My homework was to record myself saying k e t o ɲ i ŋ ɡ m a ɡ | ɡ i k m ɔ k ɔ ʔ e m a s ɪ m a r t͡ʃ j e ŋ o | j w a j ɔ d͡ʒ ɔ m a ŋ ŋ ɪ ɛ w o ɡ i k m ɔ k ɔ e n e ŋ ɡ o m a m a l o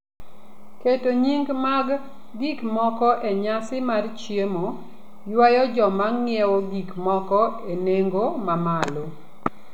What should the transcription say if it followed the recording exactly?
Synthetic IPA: k e t o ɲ i ŋ ɡ m a ɡ | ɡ i k m ɔ k ɔ ʔ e ɲ a s ɪ m a r t͡ʃ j e m o | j w a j ɔ d͡ʒ ɔ m a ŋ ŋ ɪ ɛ w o ɡ i k m ɔ k ɔ e n e ŋ ɡ o m a m a l o